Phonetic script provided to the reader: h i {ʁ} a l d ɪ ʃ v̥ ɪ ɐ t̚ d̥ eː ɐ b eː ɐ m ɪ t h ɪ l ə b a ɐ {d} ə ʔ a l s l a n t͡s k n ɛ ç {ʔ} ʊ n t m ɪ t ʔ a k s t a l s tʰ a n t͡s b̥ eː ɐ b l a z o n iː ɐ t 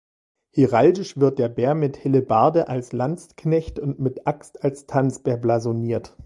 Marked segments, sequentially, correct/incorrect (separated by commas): correct, correct, incorrect